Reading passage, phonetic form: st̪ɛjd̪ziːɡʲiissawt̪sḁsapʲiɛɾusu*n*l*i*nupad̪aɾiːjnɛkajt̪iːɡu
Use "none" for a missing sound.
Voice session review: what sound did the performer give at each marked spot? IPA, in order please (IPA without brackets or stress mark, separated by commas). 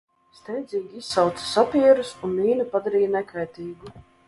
n, iː